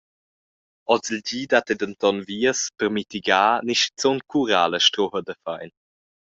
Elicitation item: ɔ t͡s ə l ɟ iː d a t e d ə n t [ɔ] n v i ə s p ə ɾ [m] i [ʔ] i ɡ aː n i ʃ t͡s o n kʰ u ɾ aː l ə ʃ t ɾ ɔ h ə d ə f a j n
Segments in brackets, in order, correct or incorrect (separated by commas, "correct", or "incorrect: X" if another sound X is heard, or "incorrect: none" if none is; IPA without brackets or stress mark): correct, correct, incorrect: t